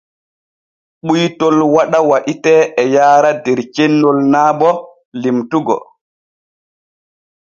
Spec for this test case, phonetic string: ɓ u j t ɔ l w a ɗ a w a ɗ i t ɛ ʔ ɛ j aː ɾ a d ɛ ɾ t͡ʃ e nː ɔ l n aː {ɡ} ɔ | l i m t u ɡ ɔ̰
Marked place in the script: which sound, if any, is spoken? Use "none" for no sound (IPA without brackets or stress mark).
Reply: b